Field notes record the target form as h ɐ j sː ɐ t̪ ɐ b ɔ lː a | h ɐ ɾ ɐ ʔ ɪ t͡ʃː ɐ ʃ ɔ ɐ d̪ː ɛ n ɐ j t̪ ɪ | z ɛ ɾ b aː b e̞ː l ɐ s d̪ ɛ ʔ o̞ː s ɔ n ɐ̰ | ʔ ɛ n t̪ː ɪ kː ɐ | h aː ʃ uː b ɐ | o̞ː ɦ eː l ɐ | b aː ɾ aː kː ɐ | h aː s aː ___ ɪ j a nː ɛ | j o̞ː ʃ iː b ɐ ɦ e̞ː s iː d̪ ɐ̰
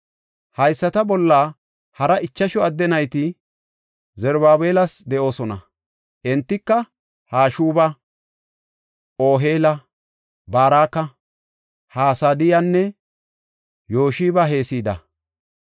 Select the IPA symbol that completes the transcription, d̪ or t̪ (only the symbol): d̪